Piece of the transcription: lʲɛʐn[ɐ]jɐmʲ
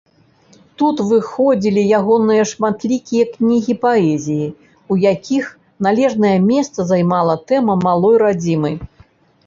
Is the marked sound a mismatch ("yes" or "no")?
no